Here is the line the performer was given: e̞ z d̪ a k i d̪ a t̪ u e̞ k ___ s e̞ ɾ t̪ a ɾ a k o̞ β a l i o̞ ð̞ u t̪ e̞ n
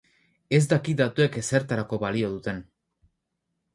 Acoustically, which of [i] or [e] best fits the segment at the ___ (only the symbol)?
e